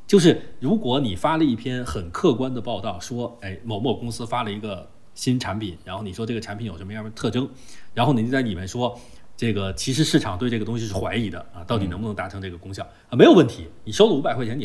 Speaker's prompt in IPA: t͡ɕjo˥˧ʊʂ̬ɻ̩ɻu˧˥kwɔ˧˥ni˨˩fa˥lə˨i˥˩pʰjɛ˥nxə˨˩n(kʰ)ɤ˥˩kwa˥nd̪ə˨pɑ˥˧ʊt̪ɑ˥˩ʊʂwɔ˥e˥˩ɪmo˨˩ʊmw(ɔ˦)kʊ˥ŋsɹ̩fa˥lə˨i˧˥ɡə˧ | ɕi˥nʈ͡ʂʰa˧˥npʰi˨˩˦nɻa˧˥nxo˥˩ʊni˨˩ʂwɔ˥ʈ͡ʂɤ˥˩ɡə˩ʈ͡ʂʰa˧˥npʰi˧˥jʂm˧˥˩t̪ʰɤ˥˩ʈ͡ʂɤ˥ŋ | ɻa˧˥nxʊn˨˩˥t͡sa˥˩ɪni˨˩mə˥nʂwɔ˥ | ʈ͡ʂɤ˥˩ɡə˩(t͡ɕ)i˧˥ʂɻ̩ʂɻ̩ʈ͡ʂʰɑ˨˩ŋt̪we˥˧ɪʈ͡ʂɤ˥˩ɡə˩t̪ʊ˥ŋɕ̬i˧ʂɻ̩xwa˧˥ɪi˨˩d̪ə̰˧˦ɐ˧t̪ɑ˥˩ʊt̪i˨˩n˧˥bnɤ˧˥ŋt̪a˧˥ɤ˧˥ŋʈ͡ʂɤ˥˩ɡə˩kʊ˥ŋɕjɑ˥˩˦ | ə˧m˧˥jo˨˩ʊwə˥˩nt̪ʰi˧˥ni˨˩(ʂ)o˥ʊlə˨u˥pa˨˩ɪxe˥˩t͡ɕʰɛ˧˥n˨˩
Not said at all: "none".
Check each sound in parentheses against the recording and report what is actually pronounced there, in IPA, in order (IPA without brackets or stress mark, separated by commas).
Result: kʰ, ɔ˥˩, t͡ɕʰ, ʂ